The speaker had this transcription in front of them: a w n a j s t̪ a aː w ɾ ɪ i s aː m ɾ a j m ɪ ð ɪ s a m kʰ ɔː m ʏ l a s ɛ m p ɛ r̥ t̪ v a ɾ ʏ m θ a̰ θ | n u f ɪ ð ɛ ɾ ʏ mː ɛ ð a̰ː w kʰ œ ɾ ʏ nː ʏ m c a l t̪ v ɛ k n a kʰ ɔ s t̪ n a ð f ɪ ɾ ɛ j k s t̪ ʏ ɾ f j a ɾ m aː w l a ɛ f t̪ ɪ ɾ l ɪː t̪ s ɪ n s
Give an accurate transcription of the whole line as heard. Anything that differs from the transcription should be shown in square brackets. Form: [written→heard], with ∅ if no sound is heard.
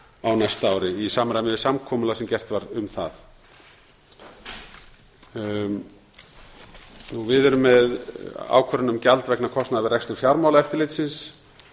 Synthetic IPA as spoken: a w n a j s t̪ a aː w ɾ ɪ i s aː m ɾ a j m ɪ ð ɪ s a m kʰ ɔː m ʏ l a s ɛ m [p→c] ɛ r̥ t̪ v a ɾ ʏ m θ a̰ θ | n u [f→v] ɪ ð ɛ ɾ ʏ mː ɛ ð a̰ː w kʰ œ ɾ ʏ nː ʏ m c a l t̪ v ɛ k n a kʰ ɔ s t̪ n a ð [f→v] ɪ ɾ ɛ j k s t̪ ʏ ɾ f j a ɾ m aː w l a ɛ f t̪ ɪ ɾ l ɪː t̪ s ɪ n s